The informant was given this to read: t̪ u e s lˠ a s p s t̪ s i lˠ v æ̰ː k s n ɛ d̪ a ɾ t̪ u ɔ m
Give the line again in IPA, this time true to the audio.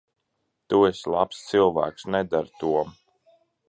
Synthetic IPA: t̪ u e s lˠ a p s t̪ s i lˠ v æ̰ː k s n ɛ d̪ a ɾ t̪ u ɔ m